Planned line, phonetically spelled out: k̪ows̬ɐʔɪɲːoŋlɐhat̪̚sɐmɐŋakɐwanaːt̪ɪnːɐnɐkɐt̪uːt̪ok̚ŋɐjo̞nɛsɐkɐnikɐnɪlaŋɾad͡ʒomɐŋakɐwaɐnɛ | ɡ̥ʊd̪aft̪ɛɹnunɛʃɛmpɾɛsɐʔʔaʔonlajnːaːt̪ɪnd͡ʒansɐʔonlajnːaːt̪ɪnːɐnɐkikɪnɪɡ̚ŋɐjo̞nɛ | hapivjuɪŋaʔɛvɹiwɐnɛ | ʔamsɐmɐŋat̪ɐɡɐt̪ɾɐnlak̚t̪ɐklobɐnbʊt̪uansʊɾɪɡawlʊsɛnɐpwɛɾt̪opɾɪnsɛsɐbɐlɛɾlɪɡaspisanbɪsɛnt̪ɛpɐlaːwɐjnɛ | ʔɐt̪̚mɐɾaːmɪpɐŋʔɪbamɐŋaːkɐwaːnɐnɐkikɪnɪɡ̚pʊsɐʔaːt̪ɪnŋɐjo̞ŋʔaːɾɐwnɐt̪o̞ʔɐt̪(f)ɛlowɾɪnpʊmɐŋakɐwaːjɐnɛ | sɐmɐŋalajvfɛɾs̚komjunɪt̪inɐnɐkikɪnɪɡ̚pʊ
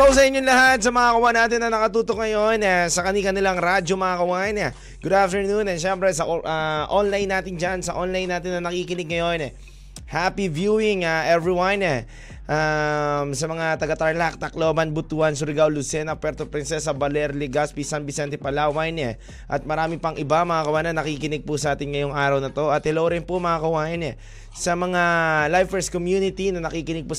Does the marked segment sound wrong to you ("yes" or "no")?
yes